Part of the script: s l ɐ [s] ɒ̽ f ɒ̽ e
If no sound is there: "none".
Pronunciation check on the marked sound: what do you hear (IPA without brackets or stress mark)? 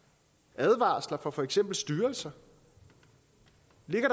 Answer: f